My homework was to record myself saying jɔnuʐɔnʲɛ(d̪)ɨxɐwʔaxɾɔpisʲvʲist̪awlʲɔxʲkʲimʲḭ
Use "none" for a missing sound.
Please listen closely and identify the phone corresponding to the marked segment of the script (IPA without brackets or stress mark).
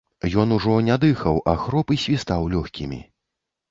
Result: d̪